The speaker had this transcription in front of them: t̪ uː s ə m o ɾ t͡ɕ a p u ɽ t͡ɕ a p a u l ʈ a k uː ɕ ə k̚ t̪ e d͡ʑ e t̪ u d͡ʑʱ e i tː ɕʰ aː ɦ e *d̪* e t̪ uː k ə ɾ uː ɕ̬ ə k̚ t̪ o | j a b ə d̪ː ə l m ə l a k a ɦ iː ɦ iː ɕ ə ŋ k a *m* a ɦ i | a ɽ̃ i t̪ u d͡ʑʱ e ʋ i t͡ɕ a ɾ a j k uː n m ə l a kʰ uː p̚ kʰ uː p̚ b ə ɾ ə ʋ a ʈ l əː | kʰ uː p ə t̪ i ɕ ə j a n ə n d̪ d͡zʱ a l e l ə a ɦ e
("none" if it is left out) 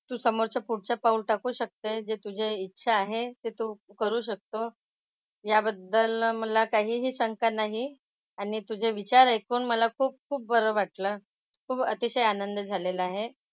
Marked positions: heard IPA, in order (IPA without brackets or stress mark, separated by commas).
t̪, n